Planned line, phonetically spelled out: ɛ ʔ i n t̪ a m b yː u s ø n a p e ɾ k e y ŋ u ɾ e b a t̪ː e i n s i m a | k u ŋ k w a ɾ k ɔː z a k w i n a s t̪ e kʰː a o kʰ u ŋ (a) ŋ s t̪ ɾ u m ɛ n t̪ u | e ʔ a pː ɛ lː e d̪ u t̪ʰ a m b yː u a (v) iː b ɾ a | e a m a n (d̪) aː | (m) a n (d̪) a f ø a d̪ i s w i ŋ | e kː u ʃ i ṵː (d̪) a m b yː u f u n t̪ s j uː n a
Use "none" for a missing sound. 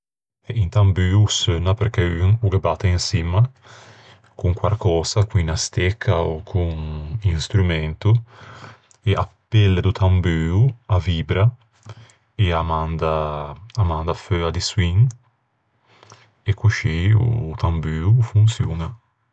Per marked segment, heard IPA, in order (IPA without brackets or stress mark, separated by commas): i, v, d̪, m, d̪, t̪